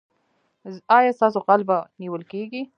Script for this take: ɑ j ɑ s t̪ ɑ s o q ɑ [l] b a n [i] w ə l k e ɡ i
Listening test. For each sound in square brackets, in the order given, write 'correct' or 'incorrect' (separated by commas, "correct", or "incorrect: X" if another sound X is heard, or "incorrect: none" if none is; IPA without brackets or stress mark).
correct, correct